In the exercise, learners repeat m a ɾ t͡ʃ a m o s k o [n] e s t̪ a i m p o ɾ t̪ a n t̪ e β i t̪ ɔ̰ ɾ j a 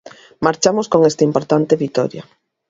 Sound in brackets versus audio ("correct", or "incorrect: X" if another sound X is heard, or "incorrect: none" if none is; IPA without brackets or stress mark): incorrect: ŋ